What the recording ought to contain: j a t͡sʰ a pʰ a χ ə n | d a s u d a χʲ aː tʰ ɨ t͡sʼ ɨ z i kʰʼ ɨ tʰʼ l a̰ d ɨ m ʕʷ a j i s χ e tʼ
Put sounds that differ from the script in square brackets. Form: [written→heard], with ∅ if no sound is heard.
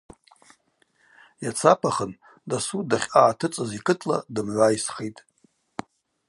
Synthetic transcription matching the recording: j a t͡sʰ a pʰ a χ ə n | d a s u d a χʲ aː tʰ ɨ t͡sʼ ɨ z i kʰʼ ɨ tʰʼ l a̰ d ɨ m ʕʷ a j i s χ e tʼ